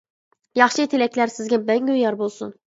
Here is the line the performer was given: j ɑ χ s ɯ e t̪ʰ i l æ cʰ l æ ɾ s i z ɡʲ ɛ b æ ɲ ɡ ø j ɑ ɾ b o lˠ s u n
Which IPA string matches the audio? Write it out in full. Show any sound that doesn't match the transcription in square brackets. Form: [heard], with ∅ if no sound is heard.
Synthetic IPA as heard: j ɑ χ [ʃ] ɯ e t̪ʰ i l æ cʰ l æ ɾ s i z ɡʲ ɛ b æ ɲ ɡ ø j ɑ ɾ b o lˠ s u n